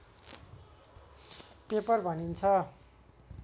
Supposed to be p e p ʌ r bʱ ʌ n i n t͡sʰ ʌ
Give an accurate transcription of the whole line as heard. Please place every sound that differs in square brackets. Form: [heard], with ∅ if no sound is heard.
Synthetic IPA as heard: p e p ʌ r bʱ ʌ n i n t͡sʰ ʌ